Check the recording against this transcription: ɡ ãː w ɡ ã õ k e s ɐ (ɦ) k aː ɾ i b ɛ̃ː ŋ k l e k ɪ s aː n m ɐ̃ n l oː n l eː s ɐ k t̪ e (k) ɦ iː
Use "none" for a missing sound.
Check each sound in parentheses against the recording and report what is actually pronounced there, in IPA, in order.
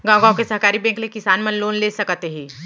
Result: ɦ, none

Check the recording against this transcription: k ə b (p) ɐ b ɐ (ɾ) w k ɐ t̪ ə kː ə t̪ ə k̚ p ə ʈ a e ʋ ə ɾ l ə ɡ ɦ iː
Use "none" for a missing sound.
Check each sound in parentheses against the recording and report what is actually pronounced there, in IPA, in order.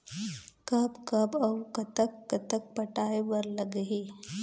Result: k, none

